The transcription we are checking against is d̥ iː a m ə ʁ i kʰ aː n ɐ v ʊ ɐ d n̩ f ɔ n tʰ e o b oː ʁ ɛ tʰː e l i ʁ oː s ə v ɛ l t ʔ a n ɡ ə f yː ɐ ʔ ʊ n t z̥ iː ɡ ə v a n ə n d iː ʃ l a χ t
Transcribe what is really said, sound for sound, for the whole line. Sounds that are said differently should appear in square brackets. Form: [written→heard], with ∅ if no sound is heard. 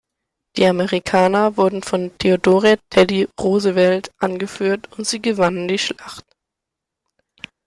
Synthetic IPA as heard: d̥ iː a m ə ʁ i kʰ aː n ɐ v ʊ ɐ d n̩ f ɔ n tʰ e o [b→d] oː ʁ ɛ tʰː [e→ɛ] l i ʁ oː [s→z] ə v ɛ l t ʔ a n ɡ ə f yː ɐ [ʔ→t] ʊ n t z̥ iː ɡ ə v a n ə n d iː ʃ l a χ t